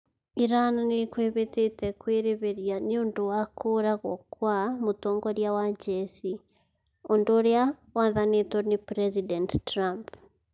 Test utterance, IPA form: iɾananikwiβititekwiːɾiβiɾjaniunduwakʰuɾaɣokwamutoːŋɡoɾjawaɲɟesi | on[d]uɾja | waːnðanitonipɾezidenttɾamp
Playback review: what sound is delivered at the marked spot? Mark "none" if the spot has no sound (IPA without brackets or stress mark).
d